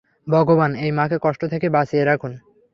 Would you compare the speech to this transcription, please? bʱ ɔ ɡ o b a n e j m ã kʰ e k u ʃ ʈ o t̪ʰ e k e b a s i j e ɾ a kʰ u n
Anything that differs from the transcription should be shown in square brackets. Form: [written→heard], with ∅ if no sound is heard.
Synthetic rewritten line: bʱ ɔ ɡ o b a n e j m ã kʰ e k [u→ɔ] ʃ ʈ o t̪ʰ e k e b a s i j e ɾ a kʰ u n

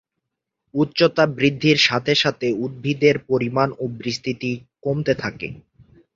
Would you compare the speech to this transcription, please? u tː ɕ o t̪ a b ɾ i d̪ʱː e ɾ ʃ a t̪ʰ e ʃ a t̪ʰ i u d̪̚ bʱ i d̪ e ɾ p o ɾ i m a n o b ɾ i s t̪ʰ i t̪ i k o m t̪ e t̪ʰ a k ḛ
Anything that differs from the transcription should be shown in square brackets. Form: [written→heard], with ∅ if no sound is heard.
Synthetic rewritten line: u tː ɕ o t̪ a b ɾ i d̪ʱː [e→i] ɾ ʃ a t̪ʰ e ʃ a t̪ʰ [i→e] u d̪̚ bʱ i d̪ e ɾ p o ɾ i m a n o b ɾ i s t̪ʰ i t̪ i k o m t̪ e t̪ʰ a k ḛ

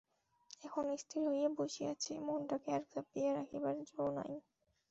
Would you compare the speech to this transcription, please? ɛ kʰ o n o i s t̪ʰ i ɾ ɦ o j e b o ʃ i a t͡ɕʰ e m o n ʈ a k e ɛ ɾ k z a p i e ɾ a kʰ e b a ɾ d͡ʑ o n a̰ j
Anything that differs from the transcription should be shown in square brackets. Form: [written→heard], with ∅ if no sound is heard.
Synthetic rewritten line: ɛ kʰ o n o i s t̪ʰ i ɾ ɦ o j e b o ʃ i a t͡ɕʰ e m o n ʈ a k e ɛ ɾ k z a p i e ɾ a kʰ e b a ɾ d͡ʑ o n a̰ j

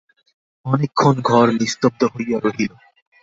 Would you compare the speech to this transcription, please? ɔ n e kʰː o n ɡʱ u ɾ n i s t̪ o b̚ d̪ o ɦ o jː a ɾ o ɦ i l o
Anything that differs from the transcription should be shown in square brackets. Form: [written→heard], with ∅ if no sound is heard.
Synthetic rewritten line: ɔ n e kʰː o n ɡʱ [u→ɔ] ɾ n i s t̪ o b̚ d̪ o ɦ o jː a ɾ o ɦ i l o

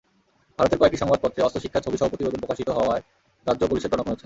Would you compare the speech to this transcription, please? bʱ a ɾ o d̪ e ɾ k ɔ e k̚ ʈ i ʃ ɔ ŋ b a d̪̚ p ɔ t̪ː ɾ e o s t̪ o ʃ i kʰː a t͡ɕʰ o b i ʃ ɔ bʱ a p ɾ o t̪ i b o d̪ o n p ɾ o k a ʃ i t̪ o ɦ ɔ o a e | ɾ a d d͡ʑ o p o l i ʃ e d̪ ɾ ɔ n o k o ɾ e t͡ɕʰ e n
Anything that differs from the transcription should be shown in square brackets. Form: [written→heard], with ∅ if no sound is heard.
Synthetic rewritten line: bʱ a ɾ o [d̪→t̪] e ɾ k ɔ e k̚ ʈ i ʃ ɔ ŋ b a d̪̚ p ɔ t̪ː ɾ e [o→ɔ] s t̪ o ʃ i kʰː a t͡ɕʰ o b i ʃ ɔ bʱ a p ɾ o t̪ i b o d̪ o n p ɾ o k a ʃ i t̪ o ɦ ɔ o a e | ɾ a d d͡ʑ o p o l i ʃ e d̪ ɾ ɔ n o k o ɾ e t͡ɕʰ e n

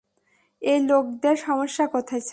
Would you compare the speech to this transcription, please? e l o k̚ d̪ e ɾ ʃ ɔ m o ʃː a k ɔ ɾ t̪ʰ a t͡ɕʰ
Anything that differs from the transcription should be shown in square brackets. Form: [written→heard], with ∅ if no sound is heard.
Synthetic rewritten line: e l o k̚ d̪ e ɾ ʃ ɔ m o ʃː a k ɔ [ɾ→∅] t̪ʰ a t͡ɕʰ

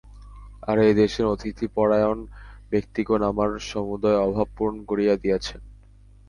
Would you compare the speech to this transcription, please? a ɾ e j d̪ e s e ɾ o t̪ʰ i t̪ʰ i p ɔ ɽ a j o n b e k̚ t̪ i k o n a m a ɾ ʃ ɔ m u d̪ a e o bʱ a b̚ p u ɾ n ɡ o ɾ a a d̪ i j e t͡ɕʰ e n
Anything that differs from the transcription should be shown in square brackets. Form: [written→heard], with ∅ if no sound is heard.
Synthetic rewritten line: a ɾ e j d̪ e [s→ʃ] e ɾ o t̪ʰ i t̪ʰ i p ɔ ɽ a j o n b e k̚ t̪ i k o n a m a ɾ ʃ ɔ m u d̪ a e [o→ɔ] bʱ a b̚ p u ɾ n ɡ o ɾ [a→i] a d̪ i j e t͡ɕʰ e n

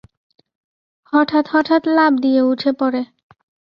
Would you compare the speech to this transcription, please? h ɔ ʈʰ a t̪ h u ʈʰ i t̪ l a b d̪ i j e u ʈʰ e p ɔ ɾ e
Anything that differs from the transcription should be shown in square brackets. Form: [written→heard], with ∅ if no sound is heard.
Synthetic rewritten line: h ɔ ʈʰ a t̪ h [u→ɔ] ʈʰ [i→a] t̪ l a b d̪ i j e u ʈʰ e p ɔ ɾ e

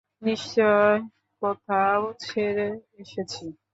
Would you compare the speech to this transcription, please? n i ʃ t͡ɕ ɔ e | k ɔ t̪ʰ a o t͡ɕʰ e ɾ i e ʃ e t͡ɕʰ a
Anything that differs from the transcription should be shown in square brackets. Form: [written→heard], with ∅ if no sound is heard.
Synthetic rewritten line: n i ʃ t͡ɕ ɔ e | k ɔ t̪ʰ a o t͡ɕʰ e ɾ [i→e] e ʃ e t͡ɕʰ [a→i]

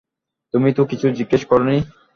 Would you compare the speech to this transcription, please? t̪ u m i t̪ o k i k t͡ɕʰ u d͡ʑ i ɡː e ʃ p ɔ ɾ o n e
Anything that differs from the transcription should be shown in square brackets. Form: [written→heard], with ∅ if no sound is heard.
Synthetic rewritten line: t̪ u m i t̪ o k i [k→∅] t͡ɕʰ u d͡ʑ i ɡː e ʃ [p→k] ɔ ɾ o n [e→i]

